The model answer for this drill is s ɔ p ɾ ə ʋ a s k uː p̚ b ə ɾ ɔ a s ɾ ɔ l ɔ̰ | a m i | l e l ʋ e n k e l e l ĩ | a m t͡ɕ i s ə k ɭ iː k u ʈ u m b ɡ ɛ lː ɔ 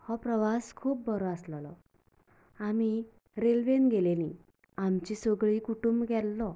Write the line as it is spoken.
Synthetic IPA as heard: h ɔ p ɾ ə ʋ a s kʰ uː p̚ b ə ɾ ɔ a s l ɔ l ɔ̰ | a m i | ɾ e l ʋ e n ɡ e l e l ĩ | a m t͡ɕ i s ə ɡ ɭ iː k u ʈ u m b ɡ ɛ lː ɔ